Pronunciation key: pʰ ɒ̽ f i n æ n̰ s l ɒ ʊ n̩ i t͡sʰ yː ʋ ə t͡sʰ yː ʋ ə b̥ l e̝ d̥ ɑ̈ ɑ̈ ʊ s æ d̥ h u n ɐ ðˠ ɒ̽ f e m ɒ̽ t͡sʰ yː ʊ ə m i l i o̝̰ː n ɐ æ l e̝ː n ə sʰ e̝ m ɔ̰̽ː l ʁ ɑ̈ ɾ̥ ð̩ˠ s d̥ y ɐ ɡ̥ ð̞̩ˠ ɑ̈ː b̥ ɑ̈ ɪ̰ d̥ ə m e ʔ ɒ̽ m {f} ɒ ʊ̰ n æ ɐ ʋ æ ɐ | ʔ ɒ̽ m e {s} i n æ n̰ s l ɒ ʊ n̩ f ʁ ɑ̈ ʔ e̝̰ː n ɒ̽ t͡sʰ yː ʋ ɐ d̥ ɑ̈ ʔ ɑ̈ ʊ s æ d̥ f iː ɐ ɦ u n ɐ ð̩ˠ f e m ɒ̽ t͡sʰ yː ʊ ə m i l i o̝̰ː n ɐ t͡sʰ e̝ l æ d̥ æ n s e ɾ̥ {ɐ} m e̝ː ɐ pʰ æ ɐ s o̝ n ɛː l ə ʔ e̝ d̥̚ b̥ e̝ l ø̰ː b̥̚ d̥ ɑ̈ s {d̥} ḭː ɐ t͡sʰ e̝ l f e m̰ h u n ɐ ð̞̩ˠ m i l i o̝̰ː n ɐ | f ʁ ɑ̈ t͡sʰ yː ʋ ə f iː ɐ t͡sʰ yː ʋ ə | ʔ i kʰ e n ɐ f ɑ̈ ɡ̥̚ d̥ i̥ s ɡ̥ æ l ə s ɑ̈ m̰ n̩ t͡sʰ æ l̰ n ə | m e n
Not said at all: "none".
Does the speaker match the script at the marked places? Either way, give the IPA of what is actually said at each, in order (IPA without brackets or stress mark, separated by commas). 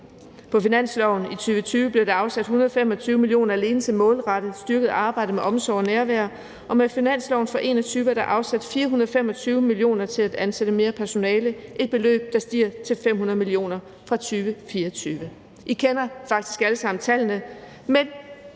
s, f, ə, d̥